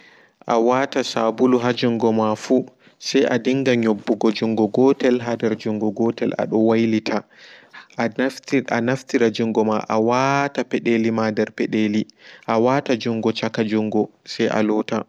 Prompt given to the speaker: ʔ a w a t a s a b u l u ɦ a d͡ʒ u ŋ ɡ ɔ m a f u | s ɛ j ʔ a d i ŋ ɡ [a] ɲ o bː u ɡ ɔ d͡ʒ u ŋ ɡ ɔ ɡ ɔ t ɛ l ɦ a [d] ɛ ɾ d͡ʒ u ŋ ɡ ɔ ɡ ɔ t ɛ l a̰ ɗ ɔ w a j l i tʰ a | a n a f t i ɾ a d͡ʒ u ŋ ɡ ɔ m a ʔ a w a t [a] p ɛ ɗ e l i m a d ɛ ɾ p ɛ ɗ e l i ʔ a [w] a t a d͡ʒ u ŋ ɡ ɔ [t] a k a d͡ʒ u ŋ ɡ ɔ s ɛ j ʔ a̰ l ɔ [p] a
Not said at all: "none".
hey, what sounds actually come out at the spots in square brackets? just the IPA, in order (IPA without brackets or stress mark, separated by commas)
a, d, a, w, t͡ʃ, t